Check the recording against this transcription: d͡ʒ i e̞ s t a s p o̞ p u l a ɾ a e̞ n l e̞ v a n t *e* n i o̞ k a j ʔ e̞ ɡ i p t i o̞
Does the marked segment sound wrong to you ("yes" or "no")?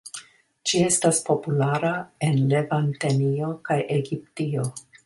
no